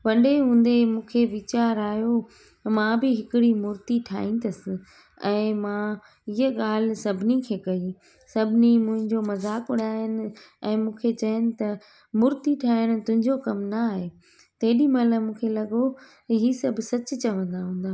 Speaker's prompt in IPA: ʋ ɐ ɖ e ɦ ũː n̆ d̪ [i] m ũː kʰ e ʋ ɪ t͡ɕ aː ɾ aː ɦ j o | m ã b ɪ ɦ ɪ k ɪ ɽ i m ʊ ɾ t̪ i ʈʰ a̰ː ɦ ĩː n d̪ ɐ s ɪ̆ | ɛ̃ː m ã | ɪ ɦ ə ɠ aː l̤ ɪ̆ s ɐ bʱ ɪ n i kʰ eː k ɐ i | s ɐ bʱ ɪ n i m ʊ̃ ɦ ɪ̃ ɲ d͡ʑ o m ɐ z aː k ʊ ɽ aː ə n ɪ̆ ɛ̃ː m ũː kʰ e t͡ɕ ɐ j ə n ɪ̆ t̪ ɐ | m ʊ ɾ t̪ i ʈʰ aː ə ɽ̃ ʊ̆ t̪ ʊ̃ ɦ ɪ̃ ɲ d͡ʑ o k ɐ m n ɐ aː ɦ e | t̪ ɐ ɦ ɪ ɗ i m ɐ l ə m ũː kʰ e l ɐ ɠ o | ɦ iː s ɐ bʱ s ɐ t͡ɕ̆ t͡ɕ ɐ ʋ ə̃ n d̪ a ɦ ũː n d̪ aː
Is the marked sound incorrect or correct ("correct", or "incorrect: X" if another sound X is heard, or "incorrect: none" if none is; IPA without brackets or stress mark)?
incorrect: e